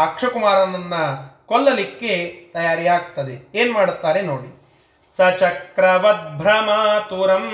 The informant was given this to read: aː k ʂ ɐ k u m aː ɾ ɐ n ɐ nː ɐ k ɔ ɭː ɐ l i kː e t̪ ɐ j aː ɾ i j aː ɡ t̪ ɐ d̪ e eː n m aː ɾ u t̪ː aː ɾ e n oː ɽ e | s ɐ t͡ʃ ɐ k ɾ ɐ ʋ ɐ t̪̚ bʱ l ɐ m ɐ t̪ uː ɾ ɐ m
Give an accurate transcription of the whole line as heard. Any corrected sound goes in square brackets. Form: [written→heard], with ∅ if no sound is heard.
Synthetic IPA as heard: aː k ʂ ɐ k u m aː ɾ ɐ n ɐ nː ɐ k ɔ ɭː ɐ l i kː e t̪ ɐ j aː ɾ i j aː ɡ t̪ ɐ d̪ e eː n m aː [ɾ→ɽ] u t̪ː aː ɾ e n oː ɽ [e→i] | s ɐ t͡ʃ ɐ k ɾ ɐ ʋ ɐ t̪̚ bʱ [l→ɾ] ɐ m ɐ t̪ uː ɾ ɐ m